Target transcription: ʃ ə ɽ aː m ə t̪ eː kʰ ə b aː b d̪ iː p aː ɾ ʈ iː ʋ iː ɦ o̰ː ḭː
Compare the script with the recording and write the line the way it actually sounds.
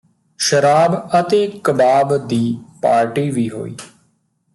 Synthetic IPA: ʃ ə ɾ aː b ə t̪ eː k ə b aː b d̪ iː p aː ɾ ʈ iː ʋ iː ɦ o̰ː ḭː